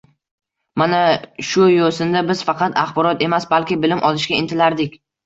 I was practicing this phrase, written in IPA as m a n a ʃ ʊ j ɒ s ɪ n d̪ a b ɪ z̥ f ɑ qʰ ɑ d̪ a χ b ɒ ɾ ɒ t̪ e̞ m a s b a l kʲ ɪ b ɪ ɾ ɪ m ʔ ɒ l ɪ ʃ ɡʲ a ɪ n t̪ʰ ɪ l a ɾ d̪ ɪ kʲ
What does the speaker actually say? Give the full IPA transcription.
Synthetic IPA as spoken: m a n a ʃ ʊ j o s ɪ n d̪ a b ɪ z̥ f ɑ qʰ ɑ t̪ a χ b ɒ ɾ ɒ t̪ e̞ m a s b a l kʲ ɪ b ɪ l ɪ m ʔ ɒ l ɪ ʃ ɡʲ a ɪ n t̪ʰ ɪ l a ɾ d̪ ɪ kʲ